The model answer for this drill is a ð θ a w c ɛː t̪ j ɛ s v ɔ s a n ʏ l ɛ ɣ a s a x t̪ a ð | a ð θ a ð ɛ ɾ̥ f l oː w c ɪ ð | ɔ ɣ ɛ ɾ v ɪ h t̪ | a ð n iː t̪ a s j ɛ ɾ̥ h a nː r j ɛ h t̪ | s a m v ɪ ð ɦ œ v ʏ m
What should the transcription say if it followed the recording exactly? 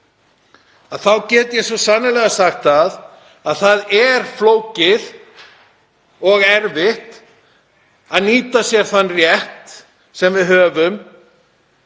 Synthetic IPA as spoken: a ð θ a w c ɛː t̪ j ɛ s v ɔ s a n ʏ l ɛ ɣ a s a x t̪ a ð | a ð θ a ð ɛ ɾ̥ f l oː w c ɪ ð | ɔ ɣ ɛ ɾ v ɪ h t̪ | a ð n iː t̪ a s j ɛ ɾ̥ θ a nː r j ɛ h t̪ | s ɛ m v ɪ ð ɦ œː v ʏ m